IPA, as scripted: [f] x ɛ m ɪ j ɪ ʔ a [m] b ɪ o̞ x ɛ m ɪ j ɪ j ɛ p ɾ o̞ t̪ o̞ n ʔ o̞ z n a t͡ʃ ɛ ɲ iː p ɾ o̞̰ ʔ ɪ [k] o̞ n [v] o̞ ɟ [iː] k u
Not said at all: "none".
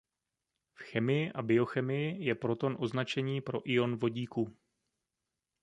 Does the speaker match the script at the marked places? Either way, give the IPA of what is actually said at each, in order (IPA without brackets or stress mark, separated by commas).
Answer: f, none, none, v, iː